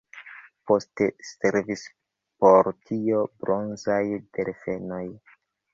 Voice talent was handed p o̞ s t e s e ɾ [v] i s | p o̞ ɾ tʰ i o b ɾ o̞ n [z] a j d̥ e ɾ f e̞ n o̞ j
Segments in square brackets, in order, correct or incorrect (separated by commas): correct, correct